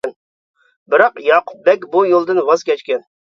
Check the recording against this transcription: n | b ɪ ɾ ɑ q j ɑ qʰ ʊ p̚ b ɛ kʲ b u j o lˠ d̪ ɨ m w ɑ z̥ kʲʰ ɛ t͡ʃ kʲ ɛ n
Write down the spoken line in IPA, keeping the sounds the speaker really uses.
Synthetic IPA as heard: n | b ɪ ɾ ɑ q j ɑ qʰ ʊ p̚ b ɛ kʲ b u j o lˠ d̪ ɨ n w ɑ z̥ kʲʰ ɛ t͡ʃ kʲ ɛ n